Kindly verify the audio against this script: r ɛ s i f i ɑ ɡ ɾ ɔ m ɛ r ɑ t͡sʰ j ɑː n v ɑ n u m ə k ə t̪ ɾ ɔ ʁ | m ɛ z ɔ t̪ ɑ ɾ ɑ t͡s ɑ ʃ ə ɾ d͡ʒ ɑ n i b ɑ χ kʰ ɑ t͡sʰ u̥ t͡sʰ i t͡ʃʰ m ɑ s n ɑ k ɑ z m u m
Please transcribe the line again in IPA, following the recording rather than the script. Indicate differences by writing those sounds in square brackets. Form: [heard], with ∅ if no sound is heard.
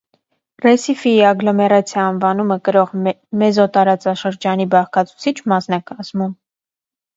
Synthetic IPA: r ɛ s i f i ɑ ɡ [l] ɔ m ɛ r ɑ t͡sʰ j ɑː n v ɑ n u m ə k ə [∅] ɾ ɔ ʁ | m ɛ z ɔ t̪ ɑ ɾ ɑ t͡s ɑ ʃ ə ɾ d͡ʒ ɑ n i b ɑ χ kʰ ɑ t͡sʰ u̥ t͡sʰ i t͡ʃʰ m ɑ s n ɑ k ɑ z m u m